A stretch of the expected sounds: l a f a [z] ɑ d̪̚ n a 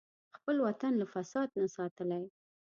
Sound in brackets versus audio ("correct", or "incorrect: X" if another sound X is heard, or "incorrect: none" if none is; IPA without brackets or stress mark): incorrect: s